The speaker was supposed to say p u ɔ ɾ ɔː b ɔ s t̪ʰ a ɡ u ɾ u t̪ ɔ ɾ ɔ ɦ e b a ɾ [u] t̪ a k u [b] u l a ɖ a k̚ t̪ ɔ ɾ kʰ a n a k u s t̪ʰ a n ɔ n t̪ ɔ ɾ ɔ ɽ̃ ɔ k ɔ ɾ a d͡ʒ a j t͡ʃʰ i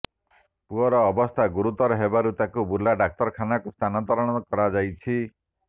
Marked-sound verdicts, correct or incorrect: correct, correct

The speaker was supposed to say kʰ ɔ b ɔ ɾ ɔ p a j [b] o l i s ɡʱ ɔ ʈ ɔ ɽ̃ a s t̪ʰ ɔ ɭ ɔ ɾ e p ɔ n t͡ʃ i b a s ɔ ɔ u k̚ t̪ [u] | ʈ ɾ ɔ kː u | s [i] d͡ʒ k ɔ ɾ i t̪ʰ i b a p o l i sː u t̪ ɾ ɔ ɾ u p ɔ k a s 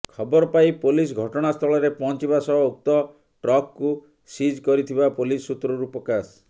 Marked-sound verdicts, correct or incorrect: incorrect, incorrect, correct

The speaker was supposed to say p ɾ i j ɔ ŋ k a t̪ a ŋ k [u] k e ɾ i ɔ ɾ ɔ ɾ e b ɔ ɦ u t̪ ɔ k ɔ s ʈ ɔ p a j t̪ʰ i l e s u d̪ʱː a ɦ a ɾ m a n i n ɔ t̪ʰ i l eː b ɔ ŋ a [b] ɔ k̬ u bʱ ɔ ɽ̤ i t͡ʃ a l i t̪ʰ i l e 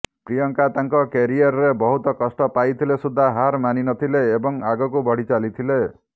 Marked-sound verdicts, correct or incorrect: incorrect, incorrect

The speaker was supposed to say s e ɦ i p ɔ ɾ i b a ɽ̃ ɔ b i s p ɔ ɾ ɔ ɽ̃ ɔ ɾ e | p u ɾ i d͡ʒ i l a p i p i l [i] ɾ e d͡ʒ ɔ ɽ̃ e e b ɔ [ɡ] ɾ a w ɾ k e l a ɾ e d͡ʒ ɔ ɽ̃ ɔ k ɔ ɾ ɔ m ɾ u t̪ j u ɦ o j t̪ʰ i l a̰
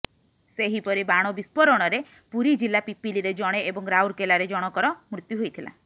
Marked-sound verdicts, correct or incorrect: correct, incorrect

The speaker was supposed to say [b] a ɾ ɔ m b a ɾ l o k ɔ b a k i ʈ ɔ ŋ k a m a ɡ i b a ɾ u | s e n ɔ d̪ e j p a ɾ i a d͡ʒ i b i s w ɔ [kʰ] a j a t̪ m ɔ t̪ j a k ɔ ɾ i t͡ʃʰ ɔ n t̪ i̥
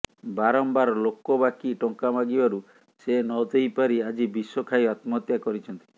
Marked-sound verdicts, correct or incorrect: correct, correct

